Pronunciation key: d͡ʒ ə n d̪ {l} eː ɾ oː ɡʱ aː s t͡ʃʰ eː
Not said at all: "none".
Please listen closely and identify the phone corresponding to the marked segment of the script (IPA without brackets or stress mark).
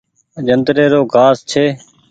ɾ